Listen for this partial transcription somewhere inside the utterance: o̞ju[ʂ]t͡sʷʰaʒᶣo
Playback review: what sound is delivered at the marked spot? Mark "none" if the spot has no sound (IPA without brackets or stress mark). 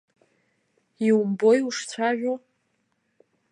ʂ